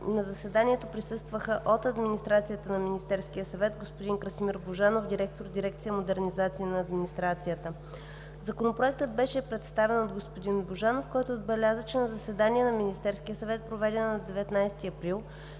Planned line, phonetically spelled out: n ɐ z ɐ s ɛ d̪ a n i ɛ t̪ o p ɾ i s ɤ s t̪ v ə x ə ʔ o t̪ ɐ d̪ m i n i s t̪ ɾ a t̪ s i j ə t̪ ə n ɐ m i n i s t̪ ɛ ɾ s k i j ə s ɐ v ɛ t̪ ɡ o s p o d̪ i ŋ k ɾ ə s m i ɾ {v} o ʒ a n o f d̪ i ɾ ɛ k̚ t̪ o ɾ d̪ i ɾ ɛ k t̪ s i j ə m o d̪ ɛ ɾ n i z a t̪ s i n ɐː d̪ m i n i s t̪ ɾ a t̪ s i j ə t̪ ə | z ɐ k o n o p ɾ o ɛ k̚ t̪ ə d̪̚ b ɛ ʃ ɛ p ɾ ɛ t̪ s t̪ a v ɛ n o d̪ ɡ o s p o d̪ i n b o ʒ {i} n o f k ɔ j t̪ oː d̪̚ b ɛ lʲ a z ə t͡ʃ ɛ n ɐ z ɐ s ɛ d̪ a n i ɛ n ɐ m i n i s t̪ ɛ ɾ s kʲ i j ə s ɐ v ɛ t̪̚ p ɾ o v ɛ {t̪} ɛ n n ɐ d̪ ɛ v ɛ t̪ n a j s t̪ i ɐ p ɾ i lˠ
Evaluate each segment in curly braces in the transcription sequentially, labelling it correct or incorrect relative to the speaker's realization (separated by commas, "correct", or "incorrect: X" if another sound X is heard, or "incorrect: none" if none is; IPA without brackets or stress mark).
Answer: incorrect: b, incorrect: a, incorrect: d̪